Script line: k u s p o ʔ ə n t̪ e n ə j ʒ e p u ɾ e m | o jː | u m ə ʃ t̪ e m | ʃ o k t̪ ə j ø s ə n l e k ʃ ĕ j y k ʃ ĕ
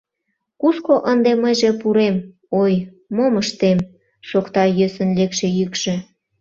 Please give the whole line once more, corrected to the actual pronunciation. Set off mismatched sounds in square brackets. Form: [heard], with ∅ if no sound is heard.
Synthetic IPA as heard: k u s [k] o ʔ ə n [d̪] e [m] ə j ʒ e p u ɾ e m | o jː | [o] m ə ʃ t̪ e m | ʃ o k t̪ [ɑ] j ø s ə n l e k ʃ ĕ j y k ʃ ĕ